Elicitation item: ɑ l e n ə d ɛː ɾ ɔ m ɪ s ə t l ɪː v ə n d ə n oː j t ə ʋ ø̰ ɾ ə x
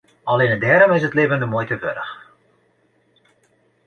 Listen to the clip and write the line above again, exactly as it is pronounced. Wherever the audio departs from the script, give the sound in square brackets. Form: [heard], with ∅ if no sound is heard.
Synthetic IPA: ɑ l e n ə d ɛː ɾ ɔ m ɪ s ə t l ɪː v ə n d ə [m] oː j t ə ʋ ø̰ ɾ ə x